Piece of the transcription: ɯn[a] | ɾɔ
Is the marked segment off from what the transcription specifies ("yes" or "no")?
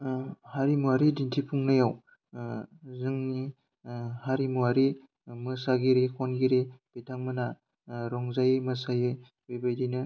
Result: no